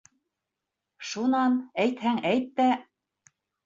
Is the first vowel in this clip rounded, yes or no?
yes